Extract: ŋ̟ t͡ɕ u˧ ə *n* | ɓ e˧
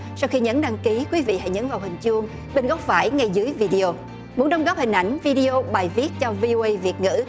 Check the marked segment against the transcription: incorrect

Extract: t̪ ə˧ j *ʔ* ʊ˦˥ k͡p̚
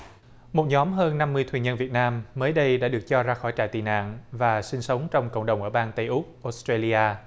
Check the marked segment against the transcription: correct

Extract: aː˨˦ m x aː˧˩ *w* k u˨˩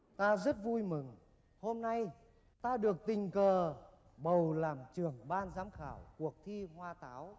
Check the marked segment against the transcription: correct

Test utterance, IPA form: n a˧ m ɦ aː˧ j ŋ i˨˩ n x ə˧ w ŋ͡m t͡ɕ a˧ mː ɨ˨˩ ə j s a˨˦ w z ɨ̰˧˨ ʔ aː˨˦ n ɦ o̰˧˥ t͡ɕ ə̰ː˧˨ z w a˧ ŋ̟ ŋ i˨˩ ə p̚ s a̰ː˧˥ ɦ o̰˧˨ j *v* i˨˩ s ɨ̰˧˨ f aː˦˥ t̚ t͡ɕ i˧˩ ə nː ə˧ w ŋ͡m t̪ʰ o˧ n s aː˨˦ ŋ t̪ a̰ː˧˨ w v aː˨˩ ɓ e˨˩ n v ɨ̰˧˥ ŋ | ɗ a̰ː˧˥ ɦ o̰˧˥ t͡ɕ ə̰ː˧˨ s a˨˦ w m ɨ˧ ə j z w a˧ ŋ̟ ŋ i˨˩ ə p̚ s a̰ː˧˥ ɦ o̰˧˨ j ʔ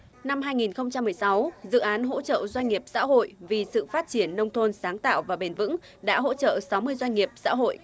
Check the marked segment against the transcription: correct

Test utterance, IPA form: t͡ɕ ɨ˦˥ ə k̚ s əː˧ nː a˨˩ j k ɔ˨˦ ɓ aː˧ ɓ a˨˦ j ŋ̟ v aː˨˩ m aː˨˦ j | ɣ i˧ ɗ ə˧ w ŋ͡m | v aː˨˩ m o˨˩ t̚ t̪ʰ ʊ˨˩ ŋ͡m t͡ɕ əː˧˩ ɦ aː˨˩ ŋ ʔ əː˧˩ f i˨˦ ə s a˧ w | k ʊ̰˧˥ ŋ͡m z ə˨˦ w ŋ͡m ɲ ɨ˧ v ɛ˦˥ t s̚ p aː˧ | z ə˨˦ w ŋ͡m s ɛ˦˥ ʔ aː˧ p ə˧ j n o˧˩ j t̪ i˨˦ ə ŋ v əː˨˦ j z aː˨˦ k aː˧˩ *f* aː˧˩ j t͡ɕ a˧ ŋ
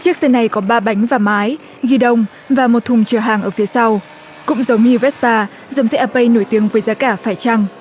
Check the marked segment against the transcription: correct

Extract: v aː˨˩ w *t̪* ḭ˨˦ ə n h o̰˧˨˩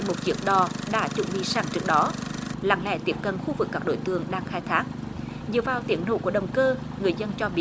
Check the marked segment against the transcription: correct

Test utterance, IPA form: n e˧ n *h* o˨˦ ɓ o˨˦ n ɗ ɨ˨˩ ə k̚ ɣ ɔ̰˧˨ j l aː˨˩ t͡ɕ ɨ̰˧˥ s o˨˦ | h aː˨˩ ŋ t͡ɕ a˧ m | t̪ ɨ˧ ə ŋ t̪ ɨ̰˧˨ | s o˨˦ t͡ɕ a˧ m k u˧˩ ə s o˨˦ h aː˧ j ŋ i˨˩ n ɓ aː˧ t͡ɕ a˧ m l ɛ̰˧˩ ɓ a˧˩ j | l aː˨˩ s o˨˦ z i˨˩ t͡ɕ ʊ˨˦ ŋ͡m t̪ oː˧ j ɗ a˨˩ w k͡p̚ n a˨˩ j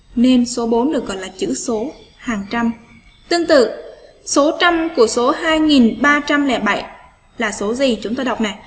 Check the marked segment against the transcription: incorrect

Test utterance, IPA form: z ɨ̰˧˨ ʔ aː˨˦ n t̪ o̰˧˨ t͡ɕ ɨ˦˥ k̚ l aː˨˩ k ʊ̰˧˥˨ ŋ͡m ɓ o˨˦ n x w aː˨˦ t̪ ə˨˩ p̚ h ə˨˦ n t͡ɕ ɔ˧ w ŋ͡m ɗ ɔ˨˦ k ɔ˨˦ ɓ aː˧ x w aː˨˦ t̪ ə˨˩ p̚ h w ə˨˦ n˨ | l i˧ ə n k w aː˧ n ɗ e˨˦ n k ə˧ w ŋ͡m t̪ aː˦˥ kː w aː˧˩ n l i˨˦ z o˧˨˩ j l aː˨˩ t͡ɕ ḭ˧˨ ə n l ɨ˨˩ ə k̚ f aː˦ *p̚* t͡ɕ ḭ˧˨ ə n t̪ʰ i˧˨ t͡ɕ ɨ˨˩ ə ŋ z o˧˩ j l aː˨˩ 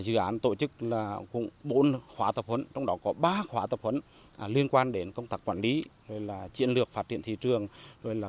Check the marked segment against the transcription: incorrect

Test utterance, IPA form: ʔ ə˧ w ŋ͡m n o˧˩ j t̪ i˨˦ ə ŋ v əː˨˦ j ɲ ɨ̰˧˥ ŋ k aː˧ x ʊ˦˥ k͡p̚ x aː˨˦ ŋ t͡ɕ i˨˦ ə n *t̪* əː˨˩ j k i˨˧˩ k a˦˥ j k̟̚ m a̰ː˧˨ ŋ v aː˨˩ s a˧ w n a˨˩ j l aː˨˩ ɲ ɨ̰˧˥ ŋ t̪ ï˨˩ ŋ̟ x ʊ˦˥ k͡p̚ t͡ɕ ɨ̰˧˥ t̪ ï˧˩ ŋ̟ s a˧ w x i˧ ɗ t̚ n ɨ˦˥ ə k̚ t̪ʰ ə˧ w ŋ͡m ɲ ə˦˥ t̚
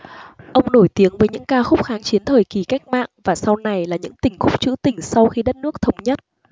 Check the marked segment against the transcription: incorrect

